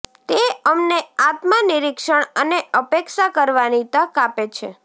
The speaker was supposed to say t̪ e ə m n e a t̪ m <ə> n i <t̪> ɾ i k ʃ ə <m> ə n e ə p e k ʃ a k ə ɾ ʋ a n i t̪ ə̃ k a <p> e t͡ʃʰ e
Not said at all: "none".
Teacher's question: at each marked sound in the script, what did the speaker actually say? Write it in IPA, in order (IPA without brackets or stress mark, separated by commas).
a, none, ɳ, p